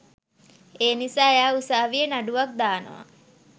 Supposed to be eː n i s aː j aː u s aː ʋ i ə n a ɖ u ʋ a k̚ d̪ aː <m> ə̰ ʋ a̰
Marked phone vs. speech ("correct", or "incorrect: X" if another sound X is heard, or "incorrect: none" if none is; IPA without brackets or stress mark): incorrect: n